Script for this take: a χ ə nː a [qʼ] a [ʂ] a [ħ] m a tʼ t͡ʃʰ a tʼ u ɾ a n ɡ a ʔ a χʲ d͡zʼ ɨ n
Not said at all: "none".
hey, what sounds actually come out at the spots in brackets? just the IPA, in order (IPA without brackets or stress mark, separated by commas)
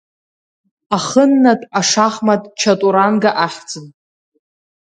tʼ, ʂ, χ